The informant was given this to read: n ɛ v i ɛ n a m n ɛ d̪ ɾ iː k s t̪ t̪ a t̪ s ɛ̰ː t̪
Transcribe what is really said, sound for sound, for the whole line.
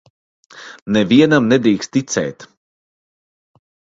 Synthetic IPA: n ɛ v i ɛ n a m n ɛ d̪ ɾ iː k s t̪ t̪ i t̪ s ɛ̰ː t̪